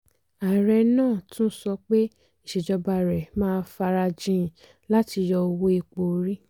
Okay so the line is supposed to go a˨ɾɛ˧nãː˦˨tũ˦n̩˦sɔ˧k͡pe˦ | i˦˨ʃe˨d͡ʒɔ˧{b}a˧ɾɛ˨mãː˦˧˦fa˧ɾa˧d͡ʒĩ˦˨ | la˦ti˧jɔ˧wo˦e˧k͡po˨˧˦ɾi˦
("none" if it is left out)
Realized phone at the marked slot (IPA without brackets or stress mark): b